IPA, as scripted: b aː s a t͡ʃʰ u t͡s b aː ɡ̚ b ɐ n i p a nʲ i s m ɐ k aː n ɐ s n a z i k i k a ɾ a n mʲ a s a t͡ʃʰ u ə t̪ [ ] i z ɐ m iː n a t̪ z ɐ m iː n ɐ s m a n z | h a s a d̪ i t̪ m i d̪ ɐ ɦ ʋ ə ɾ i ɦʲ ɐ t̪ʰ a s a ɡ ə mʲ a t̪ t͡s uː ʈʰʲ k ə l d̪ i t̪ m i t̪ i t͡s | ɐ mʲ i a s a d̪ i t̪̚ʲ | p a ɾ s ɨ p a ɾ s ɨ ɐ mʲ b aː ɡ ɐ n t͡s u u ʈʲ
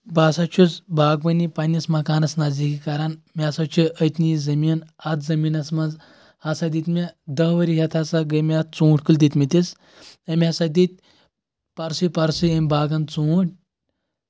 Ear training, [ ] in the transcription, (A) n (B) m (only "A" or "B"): A